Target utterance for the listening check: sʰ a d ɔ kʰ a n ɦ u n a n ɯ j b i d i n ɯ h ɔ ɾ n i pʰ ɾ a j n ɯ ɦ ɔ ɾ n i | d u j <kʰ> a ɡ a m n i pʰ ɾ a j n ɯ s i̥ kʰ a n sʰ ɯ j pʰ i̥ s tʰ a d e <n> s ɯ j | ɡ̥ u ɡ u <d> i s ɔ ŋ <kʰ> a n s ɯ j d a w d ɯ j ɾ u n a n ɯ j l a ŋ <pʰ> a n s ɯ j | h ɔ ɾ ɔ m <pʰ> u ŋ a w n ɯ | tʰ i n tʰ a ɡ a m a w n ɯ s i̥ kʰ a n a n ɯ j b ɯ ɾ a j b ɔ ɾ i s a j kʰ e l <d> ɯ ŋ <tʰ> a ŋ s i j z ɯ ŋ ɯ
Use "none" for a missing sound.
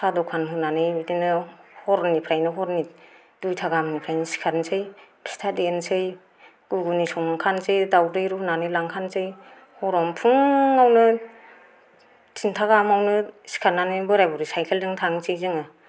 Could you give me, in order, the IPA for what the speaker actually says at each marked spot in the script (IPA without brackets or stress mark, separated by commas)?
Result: tʰ, n, n, kʰ, kʰ, pʰ, d, tʰ